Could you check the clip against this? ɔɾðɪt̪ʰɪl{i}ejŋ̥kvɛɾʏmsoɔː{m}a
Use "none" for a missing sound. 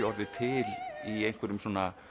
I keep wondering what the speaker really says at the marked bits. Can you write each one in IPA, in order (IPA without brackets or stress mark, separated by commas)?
i, n